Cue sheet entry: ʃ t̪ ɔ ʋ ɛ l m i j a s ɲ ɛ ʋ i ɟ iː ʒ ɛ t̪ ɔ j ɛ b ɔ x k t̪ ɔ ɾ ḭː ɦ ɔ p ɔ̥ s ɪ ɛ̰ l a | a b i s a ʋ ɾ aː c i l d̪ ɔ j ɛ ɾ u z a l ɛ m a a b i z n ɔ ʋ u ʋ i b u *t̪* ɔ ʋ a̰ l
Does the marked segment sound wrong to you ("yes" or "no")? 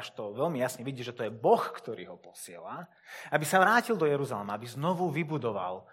yes